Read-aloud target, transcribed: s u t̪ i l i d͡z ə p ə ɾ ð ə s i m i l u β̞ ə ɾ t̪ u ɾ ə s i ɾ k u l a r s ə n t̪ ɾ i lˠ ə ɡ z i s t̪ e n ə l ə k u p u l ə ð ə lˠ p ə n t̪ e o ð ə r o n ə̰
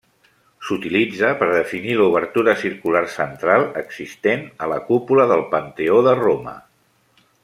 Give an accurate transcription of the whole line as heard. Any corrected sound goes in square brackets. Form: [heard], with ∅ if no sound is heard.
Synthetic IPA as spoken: s u t̪ i l i d͡z ə p ə ɾ ð ə [f] i [n] i l u β̞ ə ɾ t̪ u ɾ ə s i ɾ k u l a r s ə n t̪ ɾ [a] lˠ ə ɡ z i s t̪ e n ə l ə k u p u l ə ð ə lˠ p ə n t̪ e o ð ə r o [m] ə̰